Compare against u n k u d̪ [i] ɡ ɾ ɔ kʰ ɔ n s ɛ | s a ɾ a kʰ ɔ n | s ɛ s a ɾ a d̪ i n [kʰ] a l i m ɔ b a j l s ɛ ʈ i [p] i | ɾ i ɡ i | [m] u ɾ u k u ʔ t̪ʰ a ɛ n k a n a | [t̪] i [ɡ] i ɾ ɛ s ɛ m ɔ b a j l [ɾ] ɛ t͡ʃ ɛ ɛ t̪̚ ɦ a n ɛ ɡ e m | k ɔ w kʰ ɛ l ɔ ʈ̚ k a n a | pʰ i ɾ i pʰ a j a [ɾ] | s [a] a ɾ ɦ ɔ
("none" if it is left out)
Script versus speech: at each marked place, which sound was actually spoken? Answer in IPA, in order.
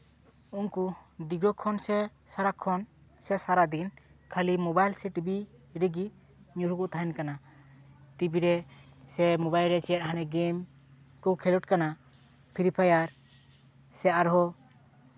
i, kʰ, b, ɲ, t̪, b, ɾ, ɾ, ɛ

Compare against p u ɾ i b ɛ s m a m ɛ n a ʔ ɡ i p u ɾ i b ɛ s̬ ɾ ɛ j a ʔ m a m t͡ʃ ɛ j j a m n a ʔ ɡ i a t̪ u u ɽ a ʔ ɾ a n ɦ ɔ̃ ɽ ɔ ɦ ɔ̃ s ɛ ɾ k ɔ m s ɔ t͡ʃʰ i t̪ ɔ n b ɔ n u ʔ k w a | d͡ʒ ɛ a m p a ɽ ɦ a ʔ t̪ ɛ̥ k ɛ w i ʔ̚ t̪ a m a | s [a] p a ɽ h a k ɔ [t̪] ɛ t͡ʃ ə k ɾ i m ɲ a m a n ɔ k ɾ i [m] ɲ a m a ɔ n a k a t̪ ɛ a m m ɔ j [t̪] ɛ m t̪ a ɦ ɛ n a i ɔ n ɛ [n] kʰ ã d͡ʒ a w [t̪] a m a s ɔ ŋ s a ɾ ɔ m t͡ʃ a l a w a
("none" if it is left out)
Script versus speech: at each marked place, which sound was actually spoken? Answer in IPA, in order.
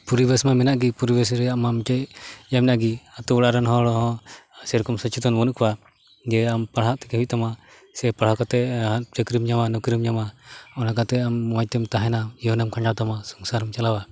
ɛ, t̪, m, t̪, m, t̪

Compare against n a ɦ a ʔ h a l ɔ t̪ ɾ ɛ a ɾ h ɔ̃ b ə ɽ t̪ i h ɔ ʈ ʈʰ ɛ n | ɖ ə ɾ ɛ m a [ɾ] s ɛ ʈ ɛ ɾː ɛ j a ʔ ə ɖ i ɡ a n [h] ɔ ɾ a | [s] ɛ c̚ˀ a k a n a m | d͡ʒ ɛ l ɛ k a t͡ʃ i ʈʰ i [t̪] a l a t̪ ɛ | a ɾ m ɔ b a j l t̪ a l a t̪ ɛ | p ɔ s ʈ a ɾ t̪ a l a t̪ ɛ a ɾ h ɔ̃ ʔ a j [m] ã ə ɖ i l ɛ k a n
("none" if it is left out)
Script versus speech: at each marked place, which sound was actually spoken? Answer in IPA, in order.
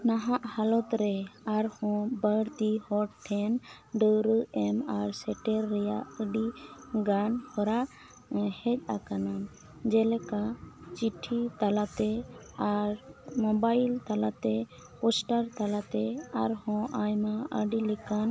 ɾ, h, h, t̪, m

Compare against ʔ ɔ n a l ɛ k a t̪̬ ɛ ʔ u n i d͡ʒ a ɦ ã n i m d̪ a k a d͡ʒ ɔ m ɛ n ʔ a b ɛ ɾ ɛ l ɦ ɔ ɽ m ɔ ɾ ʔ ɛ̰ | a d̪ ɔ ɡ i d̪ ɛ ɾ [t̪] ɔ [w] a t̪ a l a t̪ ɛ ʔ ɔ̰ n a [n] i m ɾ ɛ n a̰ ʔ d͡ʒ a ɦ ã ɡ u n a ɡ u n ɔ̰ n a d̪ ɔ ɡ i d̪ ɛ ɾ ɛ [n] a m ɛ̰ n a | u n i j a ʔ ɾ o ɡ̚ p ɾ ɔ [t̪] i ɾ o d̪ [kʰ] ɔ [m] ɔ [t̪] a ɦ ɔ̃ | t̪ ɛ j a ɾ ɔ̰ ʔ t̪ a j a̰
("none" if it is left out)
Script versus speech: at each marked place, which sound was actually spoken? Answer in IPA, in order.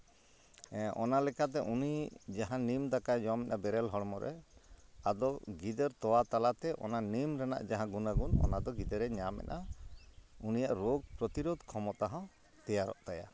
t̪, w, n, ɲ, t̪, kʰ, m, t̪

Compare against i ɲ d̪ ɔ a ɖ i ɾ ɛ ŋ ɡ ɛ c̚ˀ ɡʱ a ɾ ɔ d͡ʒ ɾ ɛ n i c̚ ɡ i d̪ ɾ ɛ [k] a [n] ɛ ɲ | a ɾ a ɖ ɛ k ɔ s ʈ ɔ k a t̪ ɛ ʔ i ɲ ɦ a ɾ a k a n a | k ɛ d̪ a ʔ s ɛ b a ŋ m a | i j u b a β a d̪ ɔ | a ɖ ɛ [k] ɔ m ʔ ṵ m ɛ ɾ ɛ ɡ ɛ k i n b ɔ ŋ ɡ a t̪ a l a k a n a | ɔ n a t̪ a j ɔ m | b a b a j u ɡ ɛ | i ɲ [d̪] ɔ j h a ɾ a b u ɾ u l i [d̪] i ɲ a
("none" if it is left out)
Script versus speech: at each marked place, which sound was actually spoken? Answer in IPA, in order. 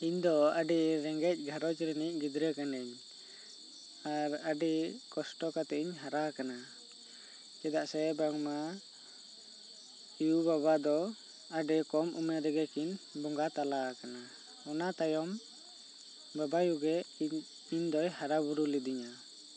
k, n, k, d̪, d̪

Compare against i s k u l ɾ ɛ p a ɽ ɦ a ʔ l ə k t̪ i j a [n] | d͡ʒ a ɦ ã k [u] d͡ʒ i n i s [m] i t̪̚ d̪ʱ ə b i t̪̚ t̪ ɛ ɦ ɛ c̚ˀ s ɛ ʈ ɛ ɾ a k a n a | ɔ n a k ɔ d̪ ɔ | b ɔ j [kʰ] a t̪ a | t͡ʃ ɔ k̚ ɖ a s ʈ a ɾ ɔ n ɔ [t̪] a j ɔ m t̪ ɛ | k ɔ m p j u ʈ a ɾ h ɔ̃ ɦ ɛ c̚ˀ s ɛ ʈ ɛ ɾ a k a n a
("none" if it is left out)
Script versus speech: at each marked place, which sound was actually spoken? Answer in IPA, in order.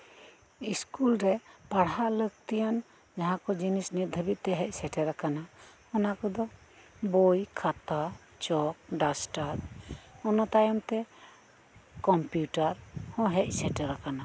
n, ɔ, n, kʰ, t̪

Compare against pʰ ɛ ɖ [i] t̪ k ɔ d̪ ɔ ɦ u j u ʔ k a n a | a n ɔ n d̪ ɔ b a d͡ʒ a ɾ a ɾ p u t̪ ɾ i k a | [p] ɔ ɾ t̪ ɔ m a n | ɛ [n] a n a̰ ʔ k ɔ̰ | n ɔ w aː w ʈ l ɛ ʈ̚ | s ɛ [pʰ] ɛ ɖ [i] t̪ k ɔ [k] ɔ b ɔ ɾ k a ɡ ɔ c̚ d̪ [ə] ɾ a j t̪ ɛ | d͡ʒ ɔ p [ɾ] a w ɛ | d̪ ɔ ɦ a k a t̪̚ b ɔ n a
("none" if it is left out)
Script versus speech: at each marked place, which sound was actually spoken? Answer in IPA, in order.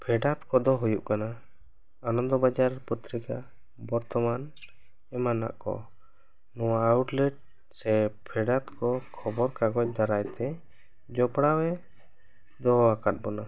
a, b, m, pʰ, a, kʰ, a, ɽ

